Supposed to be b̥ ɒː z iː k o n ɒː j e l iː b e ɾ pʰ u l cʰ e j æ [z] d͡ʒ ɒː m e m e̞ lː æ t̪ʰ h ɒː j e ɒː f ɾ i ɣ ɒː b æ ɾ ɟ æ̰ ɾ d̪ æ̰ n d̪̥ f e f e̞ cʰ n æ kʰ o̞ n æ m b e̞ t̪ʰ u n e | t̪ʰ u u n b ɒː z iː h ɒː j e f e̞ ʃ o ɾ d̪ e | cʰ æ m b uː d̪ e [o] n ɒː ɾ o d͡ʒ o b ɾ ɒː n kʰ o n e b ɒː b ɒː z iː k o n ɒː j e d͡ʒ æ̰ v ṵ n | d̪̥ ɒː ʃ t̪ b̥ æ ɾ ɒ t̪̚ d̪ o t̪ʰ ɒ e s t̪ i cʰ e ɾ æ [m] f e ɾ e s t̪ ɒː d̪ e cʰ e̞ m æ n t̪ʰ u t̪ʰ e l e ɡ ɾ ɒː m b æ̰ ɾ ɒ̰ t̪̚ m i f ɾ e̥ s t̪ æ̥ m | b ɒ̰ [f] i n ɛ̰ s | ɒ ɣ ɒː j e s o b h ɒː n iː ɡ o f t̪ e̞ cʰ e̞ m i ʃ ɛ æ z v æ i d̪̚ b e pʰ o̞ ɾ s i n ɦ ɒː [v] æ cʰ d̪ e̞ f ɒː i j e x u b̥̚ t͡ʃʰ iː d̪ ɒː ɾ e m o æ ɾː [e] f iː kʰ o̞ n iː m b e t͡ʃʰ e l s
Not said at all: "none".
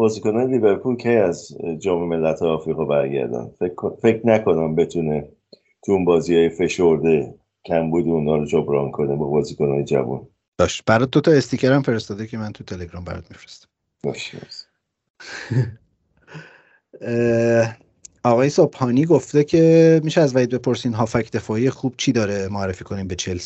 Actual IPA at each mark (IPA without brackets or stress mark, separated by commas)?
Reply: z, u, m, ʃ, f, e